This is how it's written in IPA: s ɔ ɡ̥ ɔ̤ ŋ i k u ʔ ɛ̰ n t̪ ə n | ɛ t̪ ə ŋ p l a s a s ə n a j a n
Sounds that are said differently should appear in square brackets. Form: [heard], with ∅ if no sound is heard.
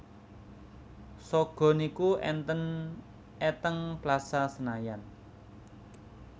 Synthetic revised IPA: s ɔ ɡ̥ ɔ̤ [n] i k u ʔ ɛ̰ n t̪ ə n | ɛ t̪ ə ŋ p l a s a s ə n a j a n